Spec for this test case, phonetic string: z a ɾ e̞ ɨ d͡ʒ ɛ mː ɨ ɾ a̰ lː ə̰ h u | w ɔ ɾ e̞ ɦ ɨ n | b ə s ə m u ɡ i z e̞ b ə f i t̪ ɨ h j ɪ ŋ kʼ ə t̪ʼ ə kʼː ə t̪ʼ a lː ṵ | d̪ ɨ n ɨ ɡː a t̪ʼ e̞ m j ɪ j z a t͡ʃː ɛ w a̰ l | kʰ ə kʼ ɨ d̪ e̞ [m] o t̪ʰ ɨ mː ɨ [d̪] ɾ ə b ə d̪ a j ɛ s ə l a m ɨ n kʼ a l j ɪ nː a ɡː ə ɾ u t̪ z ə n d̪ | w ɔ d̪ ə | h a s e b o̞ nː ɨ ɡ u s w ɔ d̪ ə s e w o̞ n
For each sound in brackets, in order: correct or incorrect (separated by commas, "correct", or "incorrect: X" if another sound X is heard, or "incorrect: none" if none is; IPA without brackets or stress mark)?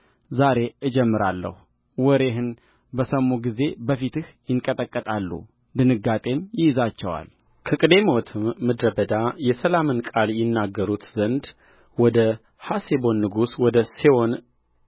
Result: correct, correct